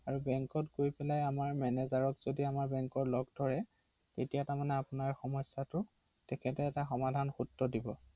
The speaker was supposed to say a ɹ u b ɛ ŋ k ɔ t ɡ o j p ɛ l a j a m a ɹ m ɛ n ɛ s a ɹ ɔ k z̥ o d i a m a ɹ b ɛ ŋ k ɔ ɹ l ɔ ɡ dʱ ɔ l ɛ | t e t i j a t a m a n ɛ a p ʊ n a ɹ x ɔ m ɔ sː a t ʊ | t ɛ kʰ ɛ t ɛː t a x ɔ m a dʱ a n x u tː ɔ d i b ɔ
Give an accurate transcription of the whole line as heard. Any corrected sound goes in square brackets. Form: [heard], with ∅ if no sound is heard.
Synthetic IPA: a ɹ u b ɛ ŋ k ɔ t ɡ o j p ɛ l a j a m a ɹ m ɛ n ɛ [z] a ɹ ɔ k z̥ o d i a m a ɹ b ɛ ŋ k ɔ ɹ l ɔ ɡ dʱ ɔ [ɹ] ɛ | t e t i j a t a m a n ɛ a p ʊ n a ɹ x ɔ m ɔ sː a t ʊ | t ɛ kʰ ɛ t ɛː t a x ɔ m a dʱ a n x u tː ɔ d i b ɔ